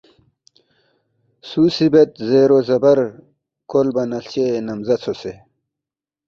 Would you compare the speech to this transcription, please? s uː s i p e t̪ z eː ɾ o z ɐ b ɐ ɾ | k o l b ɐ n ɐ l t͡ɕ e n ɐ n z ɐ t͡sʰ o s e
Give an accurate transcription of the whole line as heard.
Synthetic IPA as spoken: s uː s i b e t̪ z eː ɾ o z ɐ b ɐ ɾ | k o l b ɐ n ɐ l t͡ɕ e n ɐ m z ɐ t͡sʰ o s e